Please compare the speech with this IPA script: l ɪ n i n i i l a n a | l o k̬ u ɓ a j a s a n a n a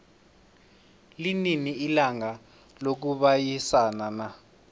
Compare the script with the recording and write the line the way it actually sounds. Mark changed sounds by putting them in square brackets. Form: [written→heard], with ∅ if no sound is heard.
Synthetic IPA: l [ɪ→i] n i n i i l a [n→ŋ] a | l o k̬ u ɓ a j [a→i] s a n a n a